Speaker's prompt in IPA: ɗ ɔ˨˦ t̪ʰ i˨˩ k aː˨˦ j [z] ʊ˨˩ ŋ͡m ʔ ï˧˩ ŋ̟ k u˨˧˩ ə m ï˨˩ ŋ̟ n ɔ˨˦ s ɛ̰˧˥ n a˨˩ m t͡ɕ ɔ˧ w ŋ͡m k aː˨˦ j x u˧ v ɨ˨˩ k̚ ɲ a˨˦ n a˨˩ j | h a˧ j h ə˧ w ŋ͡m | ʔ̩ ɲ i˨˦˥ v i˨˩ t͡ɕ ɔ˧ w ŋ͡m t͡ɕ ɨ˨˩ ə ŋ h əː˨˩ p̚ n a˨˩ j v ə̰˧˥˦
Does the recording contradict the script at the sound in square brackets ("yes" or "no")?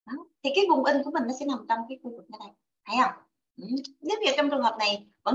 yes